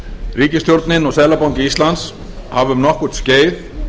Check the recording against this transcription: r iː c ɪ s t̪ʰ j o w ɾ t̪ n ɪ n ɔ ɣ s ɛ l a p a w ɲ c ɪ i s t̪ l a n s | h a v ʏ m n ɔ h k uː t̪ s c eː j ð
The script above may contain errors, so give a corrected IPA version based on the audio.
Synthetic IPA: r iː c ɪ s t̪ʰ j o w ɾ t̪ n ɪ n ɔ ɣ s ɛ l a p a w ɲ c ɪ i s t̪ l a n s | h a v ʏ m n ɔ h k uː t̪ s c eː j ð